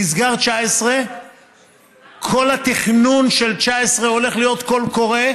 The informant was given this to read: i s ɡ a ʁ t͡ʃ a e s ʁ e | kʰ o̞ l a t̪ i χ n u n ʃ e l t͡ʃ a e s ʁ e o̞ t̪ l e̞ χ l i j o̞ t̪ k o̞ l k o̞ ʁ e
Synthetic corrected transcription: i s ɡ a ʁ t͡ʃ a e s ʁ e | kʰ o̞ l a t̪ i χ n u n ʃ e l t͡ʃ a e s ʁ e o̞ l e̞ χ l i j o̞ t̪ k o̞ l k o̞ ʁ e